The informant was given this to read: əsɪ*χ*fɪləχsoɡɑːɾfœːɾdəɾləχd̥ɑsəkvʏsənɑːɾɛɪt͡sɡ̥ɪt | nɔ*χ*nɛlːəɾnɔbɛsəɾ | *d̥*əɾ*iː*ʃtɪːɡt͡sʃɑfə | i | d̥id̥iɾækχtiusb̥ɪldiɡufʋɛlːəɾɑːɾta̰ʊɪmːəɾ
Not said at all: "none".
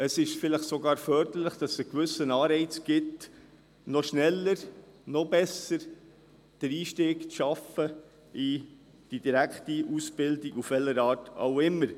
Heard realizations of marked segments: ʃ, ʃ, d̥, iː

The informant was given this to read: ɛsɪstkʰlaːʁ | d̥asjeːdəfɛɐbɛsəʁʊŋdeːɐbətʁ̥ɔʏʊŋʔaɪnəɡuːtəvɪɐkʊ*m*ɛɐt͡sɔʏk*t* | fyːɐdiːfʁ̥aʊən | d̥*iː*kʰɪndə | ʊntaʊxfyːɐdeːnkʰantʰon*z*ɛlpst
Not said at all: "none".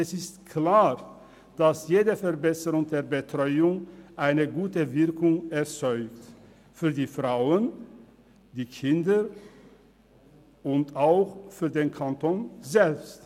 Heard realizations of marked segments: ŋ, t, iː, z

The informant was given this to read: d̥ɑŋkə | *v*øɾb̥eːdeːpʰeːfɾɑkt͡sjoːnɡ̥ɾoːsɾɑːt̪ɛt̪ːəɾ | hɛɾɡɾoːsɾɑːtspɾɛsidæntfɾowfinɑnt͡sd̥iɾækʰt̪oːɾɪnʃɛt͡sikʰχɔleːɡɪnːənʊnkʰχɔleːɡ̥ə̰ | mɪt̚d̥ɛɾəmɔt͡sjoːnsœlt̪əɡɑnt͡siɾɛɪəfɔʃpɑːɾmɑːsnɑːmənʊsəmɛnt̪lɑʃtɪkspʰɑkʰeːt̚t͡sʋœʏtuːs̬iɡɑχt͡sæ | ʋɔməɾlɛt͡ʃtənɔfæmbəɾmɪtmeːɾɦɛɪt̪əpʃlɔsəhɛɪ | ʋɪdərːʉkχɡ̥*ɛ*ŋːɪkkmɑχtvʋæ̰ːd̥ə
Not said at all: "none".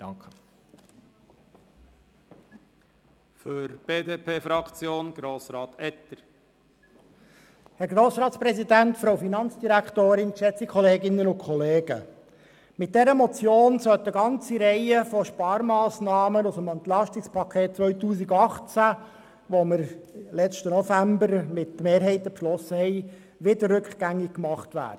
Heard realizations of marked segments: f, æ

